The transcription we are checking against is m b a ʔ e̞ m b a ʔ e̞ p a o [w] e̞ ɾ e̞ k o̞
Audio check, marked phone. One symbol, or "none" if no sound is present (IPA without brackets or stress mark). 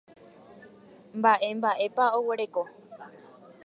w